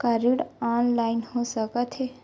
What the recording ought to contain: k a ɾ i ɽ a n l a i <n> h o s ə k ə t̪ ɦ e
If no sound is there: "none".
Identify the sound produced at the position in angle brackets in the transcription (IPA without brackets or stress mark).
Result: n